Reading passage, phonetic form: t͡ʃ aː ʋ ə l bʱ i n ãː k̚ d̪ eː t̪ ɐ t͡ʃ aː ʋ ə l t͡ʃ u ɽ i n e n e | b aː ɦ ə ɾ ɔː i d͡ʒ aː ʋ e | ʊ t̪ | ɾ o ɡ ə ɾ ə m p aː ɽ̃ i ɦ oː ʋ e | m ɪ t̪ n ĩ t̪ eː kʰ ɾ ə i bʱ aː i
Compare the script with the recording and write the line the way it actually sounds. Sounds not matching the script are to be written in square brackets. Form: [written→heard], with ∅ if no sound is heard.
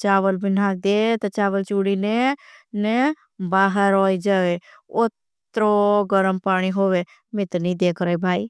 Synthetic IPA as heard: t͡ʃ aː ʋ ə l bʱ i n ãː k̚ d̪ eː t̪ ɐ t͡ʃ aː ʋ ə l t͡ʃ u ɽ i n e n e | b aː ɦ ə ɾ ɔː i d͡ʒ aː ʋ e | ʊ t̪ | ɾ o ɡ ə ɾ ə m p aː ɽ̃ i ɦ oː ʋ e | m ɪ t̪ n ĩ [t̪→d̪] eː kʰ ɾ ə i bʱ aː i